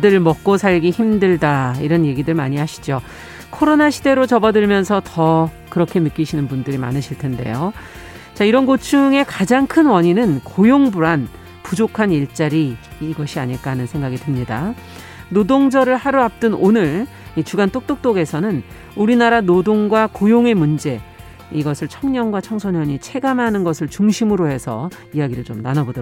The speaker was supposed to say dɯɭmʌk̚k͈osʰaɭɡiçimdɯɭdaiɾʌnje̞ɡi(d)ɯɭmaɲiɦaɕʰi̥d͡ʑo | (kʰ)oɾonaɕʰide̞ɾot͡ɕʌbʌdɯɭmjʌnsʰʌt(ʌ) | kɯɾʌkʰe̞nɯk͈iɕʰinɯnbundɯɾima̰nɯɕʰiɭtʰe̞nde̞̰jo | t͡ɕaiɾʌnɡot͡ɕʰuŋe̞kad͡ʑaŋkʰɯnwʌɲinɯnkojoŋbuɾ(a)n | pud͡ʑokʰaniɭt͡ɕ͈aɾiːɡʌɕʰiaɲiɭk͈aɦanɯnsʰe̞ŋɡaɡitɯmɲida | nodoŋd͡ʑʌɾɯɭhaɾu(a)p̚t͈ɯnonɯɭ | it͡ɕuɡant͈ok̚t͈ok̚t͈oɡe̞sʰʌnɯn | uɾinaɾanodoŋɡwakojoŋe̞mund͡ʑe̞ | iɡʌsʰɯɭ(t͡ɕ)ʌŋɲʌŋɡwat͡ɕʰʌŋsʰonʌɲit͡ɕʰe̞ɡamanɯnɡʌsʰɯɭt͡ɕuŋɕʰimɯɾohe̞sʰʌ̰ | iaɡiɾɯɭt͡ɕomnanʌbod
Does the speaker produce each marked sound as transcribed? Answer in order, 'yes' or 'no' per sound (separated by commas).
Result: yes, yes, yes, yes, yes, no